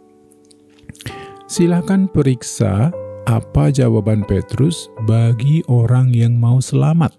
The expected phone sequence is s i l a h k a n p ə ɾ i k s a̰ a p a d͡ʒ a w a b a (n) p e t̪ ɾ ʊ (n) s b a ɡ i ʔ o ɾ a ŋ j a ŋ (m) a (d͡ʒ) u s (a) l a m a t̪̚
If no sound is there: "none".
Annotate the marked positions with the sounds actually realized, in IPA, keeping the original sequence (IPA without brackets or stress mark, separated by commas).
n, none, m, none, ə